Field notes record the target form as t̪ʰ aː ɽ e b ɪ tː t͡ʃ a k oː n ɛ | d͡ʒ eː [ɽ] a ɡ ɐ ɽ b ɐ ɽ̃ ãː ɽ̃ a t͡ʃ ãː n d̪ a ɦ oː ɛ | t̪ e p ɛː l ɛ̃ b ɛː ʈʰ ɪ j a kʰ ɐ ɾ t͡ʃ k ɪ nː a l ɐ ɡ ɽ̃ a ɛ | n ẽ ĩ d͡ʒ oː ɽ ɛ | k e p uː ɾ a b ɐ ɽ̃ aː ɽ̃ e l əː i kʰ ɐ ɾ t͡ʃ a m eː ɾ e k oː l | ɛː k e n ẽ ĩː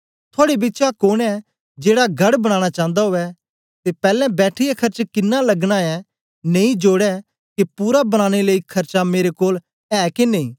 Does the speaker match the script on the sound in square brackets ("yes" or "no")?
yes